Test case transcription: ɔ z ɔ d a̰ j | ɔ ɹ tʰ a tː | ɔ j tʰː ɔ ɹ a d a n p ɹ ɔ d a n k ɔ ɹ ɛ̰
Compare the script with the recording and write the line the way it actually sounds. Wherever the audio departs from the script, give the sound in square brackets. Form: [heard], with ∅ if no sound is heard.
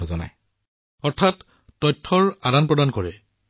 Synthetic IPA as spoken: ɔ z ɔ [n] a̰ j | ɔ ɹ tʰ a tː | ɔ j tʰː ɔ ɹ a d a n p ɹ ɔ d a n k ɔ ɹ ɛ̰